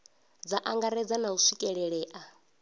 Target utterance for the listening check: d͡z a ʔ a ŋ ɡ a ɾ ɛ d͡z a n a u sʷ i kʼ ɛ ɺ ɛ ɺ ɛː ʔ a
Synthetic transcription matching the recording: d͡z a ʔ a ŋ ɡ a ɾ ɛ d͡z a n a u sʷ i kʼ ɛ ɺ ɛ ɺ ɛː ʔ a